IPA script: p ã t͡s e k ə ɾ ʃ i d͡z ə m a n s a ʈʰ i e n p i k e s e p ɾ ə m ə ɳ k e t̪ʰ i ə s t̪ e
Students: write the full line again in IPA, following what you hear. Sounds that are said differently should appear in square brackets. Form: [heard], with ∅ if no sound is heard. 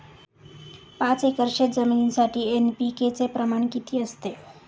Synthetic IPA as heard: p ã t͡s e k ə ɾ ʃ [e] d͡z ə m [i] n s a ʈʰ i e n p i k e [t͡s] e p ɾ ə m [a] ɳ k [i] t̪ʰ i ə s t̪ e